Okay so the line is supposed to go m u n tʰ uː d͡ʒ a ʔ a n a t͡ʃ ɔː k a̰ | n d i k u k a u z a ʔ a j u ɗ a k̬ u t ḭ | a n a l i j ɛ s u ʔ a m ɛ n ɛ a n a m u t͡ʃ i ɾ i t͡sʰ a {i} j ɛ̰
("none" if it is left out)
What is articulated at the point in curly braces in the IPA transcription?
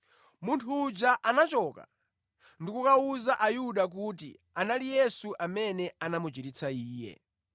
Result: iː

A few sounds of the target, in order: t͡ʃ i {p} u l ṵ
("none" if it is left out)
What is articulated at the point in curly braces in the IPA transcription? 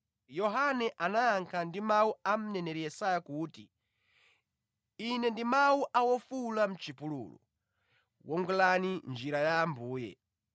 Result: p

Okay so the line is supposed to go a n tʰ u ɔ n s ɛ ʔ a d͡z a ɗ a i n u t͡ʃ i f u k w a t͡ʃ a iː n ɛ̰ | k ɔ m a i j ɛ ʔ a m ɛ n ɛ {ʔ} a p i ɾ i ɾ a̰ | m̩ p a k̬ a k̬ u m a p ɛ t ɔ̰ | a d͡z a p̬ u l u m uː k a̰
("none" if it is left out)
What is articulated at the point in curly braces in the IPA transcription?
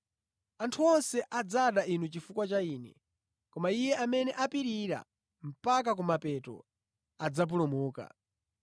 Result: ʔ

